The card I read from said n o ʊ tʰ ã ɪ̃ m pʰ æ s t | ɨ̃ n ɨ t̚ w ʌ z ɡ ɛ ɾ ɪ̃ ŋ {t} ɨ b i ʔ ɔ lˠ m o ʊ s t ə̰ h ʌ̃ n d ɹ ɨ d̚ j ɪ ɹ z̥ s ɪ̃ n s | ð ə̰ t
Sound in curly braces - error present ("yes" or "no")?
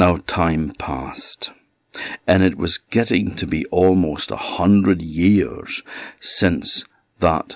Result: yes